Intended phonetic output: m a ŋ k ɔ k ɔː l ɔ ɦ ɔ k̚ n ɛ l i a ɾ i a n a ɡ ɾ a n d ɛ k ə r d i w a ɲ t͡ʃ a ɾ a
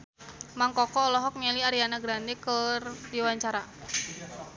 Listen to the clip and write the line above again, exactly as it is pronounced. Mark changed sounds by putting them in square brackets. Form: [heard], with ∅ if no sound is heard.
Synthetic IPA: m a ŋ k ɔ k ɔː l ɔ ɦ ɔ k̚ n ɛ l i a ɾ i a n a ɡ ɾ a n d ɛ k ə r d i w a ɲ t͡ʃ a ɾ a